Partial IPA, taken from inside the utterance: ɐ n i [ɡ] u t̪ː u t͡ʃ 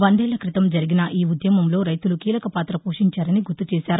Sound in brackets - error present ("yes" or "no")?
no